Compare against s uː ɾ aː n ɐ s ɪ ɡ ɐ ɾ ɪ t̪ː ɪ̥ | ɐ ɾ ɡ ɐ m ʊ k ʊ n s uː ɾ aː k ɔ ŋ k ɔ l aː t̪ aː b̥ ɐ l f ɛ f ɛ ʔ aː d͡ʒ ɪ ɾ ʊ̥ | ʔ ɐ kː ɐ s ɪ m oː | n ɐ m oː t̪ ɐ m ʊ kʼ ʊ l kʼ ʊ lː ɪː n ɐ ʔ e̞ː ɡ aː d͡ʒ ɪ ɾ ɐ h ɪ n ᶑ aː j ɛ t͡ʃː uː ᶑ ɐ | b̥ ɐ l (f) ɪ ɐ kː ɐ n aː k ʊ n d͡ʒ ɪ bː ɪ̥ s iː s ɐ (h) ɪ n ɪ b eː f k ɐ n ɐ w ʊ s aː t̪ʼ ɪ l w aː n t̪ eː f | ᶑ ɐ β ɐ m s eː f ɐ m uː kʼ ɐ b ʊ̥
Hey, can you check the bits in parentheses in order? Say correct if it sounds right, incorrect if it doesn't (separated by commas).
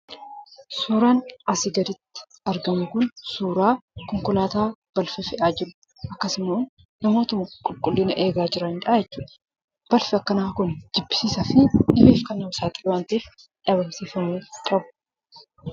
correct, incorrect